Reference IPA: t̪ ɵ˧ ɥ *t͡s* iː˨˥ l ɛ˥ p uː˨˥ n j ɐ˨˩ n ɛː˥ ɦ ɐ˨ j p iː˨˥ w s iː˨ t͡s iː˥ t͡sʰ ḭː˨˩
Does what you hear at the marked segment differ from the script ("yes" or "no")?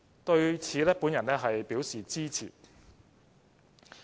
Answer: yes